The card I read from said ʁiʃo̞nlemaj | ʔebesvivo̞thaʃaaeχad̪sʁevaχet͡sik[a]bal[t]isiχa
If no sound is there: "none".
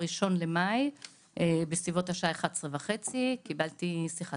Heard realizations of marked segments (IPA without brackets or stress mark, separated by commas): i, t